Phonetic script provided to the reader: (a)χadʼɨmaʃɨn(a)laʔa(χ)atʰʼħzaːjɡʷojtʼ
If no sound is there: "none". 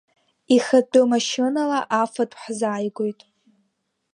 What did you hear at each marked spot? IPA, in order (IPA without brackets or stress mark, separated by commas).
i, a, f